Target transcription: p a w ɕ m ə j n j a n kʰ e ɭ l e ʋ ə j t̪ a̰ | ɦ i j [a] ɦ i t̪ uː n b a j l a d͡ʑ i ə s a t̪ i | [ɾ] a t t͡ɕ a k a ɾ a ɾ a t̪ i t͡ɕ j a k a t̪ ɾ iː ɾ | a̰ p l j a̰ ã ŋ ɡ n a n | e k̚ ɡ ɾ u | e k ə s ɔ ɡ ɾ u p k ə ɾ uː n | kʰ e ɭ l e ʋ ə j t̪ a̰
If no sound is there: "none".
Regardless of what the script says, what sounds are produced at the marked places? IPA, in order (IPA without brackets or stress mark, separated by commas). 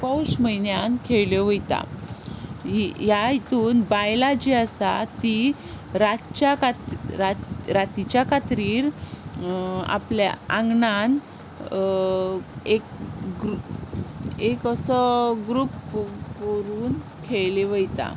a, ɾ